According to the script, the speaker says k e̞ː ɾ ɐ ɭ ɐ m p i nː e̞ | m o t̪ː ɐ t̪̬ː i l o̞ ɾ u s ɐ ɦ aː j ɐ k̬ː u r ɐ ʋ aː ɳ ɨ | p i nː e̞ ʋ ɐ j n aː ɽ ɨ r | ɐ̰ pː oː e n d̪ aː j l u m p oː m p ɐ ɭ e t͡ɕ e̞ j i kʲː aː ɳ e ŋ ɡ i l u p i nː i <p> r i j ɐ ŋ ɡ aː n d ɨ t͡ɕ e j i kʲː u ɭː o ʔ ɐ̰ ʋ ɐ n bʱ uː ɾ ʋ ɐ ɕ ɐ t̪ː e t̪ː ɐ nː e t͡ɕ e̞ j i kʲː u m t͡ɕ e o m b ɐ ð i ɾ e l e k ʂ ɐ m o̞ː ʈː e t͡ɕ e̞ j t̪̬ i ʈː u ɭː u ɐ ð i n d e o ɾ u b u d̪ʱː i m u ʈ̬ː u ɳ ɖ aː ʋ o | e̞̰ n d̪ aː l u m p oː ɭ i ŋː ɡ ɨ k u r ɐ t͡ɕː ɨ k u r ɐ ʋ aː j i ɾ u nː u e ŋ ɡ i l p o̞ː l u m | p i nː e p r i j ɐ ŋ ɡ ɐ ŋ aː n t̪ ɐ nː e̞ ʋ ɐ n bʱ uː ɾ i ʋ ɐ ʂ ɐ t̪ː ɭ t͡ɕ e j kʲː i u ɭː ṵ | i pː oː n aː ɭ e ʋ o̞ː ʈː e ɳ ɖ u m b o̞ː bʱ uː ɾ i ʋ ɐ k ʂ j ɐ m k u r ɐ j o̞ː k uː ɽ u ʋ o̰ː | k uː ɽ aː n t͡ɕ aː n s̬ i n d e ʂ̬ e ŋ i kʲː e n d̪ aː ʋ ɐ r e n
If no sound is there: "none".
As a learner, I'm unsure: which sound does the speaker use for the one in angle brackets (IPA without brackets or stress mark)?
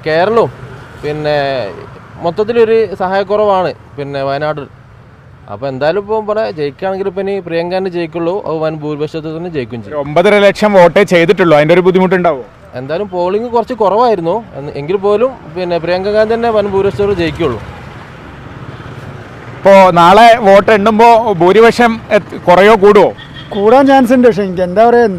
p